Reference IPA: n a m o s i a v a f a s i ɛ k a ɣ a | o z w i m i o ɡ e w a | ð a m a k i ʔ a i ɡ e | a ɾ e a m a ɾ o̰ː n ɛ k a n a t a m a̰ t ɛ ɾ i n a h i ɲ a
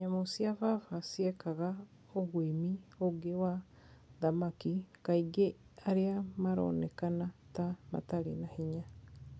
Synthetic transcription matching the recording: ɲ a m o s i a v a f a s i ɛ k a ɣ a | o ɣ w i m i o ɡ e w a | ð a m a k i k a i ɡ e | a ɾ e a m a ɾ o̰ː n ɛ k a n a t a m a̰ t a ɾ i n a h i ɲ a